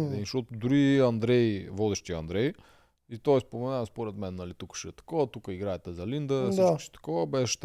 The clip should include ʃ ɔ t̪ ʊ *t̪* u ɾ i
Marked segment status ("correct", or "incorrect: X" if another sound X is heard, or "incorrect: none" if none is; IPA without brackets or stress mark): incorrect: d̪